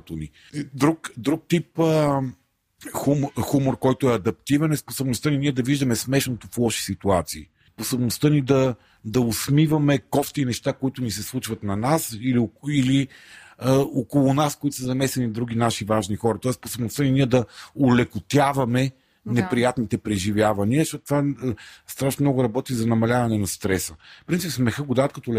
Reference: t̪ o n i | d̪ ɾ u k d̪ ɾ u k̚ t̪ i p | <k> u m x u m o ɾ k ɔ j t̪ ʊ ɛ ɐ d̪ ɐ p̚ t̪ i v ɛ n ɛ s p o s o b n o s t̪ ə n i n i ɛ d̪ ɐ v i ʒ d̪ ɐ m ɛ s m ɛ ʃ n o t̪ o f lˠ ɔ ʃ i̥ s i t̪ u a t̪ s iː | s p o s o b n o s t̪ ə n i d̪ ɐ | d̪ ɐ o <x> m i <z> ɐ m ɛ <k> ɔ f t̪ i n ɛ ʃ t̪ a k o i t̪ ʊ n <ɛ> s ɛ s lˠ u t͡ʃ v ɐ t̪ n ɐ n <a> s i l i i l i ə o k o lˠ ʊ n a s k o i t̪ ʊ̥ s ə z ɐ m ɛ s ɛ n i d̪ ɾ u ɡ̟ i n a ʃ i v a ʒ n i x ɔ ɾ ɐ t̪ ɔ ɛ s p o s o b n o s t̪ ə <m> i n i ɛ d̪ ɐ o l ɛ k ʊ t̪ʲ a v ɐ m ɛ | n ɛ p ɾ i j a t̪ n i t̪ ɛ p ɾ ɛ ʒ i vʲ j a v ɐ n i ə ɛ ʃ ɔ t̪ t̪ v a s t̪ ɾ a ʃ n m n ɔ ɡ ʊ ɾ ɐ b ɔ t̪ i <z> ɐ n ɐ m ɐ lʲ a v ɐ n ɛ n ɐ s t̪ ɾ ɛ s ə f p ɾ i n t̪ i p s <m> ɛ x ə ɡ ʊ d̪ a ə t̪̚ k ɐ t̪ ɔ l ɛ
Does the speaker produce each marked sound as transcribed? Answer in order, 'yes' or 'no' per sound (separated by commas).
no, no, no, yes, no, yes, no, yes, yes